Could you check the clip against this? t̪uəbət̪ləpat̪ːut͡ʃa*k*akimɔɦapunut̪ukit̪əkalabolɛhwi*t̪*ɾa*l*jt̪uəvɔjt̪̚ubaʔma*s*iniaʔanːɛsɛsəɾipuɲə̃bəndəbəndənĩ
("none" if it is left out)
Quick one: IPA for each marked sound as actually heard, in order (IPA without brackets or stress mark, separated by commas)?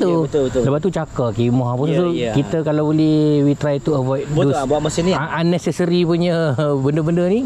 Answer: k, t̪, none, s